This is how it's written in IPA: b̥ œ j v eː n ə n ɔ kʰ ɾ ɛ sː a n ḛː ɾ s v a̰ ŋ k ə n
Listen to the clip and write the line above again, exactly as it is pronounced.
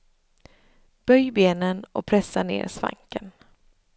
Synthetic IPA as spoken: b̥ œ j b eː n ə n ɔ pʰ ɾ ɛ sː a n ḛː ɾ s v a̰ ŋ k ə n